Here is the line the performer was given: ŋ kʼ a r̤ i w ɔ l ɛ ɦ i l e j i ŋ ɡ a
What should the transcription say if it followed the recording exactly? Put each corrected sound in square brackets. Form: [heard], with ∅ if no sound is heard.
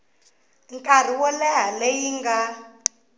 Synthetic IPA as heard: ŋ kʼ a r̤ i w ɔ l ɛ ɦ [a] l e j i ŋ ɡ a